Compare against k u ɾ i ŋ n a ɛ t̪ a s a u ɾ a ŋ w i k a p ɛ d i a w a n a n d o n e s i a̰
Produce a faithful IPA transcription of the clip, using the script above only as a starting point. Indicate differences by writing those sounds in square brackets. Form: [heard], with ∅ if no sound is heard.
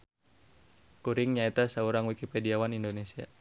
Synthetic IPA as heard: k u ɾ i ŋ [ɲ] a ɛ t̪ a s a u ɾ a ŋ w i k [i] p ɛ d i a w a n [i] n d o n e s i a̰